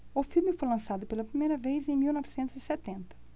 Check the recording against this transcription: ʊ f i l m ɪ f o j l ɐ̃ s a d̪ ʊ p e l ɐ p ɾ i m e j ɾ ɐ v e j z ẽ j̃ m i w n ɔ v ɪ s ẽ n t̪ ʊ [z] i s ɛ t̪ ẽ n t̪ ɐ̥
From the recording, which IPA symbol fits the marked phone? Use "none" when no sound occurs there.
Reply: z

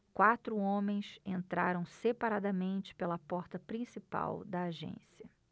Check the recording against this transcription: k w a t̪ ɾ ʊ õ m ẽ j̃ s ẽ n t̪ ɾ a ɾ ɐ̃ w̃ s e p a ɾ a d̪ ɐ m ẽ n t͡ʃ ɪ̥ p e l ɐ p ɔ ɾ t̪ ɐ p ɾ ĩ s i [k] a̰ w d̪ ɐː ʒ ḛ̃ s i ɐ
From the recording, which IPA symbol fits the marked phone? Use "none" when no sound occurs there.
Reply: p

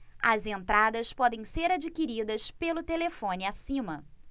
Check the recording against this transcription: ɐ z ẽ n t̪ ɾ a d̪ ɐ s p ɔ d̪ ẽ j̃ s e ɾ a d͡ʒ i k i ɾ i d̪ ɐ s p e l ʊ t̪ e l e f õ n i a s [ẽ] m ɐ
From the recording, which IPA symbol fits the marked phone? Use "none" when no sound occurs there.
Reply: ĩ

